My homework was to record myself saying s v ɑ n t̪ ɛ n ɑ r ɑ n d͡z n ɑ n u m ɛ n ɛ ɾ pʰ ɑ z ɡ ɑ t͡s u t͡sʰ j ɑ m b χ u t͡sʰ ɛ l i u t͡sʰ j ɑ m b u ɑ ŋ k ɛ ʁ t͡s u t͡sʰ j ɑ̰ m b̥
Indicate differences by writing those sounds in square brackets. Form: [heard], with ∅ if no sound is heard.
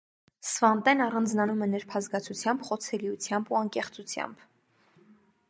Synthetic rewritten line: s v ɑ n t̪ ɛ n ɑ r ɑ n d͡z n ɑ n u m ɛ n ɛ ɾ pʰ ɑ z ɡ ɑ [t͡sʰ] u t͡sʰ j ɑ m b χ [ɔ] t͡sʰ ɛ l i u t͡sʰ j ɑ m b u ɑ ŋ k ɛ [χ] t͡s u t͡sʰ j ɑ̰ m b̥